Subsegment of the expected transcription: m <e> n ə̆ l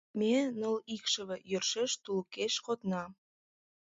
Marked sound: correct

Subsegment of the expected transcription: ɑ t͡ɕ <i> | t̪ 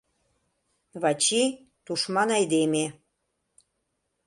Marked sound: correct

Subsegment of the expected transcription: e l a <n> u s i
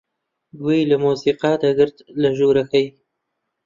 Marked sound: incorrect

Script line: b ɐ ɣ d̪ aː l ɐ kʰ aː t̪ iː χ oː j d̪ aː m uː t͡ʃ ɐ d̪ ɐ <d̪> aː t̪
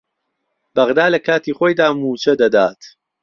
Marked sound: correct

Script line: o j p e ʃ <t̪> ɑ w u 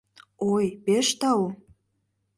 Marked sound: correct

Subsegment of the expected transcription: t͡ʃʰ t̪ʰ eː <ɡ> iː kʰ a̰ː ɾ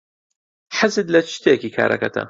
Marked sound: incorrect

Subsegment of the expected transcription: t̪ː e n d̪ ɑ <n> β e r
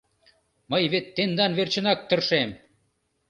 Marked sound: correct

